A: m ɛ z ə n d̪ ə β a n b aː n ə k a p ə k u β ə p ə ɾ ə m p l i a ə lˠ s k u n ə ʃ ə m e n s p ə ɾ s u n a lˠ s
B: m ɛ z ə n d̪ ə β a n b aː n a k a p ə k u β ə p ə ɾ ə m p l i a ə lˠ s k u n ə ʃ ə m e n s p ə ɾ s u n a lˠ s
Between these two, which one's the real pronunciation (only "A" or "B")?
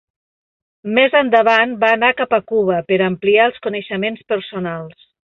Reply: B